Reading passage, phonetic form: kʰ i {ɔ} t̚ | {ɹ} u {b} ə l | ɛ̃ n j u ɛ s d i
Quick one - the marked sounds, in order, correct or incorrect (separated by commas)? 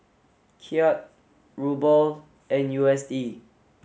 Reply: correct, correct, correct